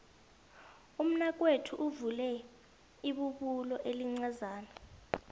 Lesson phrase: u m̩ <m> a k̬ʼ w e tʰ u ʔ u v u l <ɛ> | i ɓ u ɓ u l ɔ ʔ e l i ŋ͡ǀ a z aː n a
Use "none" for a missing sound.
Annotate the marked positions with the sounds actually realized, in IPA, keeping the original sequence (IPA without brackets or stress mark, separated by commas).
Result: n, ɛ